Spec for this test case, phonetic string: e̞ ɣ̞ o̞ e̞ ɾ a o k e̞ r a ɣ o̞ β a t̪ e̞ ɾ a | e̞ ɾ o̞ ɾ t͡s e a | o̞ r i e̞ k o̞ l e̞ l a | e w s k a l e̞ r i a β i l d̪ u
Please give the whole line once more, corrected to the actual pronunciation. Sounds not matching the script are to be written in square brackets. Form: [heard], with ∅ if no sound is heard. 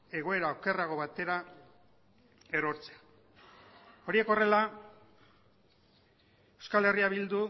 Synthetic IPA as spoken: e̞ ɣ̞ o̞ e̞ ɾ a o k e̞ r a ɣ o̞ β a t̪ e̞ ɾ a | e̞ ɾ o̞ ɾ t͡s e a | o̞ [ɾ] i e̞ k o̞ [r] e̞ l a | e w s k a l e̞ r i a β i l d̪ u